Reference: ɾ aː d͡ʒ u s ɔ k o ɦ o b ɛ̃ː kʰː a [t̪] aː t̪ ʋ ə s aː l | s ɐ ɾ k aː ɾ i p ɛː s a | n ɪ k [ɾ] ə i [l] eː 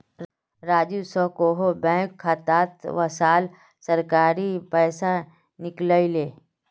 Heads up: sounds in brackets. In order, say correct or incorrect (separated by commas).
correct, incorrect, correct